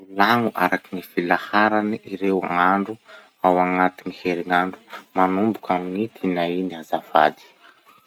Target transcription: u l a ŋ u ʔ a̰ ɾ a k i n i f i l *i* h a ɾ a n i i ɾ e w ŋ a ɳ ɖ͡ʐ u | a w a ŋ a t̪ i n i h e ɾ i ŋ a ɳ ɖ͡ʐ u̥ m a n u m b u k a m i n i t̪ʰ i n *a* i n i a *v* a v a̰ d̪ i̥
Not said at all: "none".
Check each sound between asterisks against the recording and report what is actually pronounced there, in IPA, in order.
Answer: a, a, z

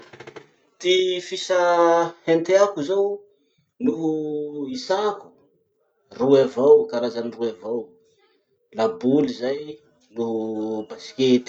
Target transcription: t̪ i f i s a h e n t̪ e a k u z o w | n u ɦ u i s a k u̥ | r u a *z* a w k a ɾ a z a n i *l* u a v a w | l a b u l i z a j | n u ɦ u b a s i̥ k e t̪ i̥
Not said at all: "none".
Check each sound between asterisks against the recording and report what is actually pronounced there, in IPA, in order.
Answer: v, r

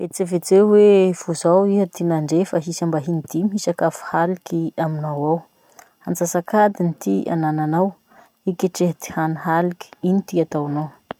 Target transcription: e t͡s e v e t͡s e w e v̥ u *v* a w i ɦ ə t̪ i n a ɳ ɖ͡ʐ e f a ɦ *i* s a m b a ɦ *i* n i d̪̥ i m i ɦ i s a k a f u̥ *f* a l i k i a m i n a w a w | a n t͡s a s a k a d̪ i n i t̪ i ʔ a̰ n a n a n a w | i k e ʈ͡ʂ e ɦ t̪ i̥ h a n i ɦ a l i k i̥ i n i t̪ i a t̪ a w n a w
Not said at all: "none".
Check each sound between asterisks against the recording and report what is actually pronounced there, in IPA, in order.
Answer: z, i, i, h

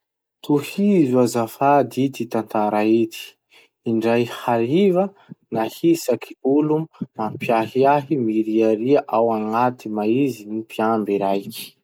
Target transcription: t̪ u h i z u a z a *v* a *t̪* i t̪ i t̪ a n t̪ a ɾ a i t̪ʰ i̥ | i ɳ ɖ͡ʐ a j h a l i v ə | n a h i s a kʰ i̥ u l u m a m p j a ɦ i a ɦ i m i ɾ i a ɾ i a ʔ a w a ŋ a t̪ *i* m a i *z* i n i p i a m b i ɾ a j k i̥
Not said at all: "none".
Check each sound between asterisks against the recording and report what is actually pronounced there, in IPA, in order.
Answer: f, d̪, i, z

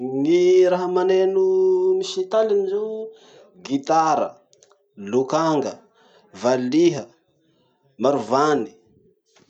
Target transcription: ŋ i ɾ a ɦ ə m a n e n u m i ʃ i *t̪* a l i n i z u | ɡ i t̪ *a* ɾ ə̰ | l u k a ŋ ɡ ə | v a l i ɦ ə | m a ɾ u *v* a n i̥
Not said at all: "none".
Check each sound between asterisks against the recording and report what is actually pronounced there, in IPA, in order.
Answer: t̪, a, v

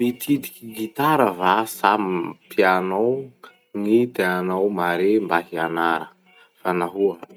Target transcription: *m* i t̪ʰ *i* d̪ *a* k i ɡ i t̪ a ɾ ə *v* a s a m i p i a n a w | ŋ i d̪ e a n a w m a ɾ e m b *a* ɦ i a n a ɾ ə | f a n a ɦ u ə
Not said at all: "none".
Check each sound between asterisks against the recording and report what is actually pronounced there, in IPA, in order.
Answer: m, i, i, v, a

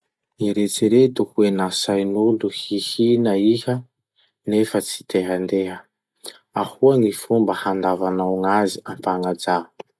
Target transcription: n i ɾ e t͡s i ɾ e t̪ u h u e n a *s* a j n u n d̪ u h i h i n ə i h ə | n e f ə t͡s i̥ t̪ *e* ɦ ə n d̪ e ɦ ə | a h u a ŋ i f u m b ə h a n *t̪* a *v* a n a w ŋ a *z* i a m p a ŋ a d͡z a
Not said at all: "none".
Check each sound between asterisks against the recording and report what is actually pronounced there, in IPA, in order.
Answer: s, e, d̪, v, z

